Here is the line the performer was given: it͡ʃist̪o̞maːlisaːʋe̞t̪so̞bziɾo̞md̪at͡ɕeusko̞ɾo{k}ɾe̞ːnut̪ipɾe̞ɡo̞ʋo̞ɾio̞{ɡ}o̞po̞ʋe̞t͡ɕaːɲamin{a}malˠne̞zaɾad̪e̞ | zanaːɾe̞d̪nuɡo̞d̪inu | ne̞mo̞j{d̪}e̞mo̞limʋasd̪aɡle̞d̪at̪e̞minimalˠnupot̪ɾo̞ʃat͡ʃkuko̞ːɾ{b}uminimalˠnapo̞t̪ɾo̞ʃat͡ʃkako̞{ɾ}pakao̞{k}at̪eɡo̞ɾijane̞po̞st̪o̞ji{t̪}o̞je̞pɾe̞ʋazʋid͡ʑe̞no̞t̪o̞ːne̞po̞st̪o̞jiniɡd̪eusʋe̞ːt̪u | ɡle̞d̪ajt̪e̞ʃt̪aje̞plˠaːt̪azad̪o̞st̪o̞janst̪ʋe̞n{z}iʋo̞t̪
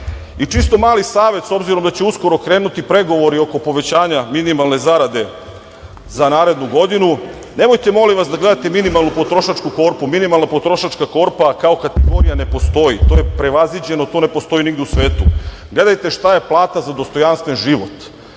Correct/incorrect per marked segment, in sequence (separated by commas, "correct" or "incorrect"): correct, incorrect, incorrect, incorrect, incorrect, correct, correct, correct, incorrect